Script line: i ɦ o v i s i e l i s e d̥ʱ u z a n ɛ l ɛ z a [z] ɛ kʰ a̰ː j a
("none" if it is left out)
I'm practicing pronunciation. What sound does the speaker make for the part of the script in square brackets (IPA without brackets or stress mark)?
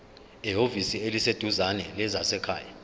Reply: s